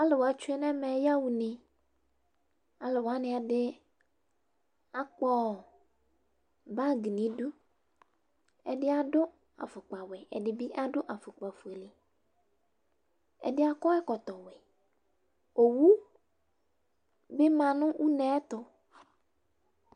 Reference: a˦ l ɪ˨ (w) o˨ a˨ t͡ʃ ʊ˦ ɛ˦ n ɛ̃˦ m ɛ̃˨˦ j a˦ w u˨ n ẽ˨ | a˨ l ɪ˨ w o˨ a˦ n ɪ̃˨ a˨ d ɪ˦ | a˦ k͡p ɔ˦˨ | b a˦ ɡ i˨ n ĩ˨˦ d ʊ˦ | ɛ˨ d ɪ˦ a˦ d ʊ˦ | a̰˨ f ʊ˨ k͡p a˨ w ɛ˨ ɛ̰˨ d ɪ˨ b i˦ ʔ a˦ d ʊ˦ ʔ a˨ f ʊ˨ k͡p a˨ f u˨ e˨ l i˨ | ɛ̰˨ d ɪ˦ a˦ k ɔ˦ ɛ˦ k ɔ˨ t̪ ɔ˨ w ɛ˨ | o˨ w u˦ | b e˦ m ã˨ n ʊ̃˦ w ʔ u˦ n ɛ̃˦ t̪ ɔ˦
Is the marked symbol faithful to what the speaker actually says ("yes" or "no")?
yes